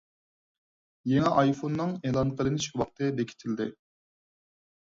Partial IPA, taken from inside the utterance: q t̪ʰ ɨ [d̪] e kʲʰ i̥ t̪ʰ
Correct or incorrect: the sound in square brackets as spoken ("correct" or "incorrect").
correct